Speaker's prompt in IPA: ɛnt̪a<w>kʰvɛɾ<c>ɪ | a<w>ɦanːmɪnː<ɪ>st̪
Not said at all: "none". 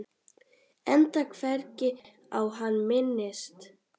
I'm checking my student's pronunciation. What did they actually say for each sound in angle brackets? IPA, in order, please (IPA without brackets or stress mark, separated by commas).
none, c, w, ɪ